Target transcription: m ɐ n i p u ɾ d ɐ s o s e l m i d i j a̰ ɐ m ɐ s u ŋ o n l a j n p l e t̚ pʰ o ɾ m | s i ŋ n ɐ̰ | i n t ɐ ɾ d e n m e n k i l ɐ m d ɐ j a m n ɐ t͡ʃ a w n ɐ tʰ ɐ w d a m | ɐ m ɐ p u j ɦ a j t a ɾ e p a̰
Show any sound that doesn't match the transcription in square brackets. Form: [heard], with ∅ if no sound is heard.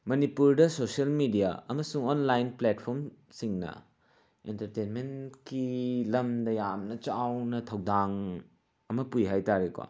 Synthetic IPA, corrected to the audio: m ɐ n i p u ɾ d ɐ s o s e l m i d i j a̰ ɐ m ɐ s u ŋ o n l a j n p l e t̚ pʰ o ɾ m | s i ŋ n ɐ̰ | [e] n t ɐ ɾ [t] e n m e n k i l ɐ m d ɐ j a m n ɐ t͡ʃ a w n ɐ tʰ ɐ w d a [ŋ] | ɐ m ɐ p u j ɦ a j t a ɾ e [k] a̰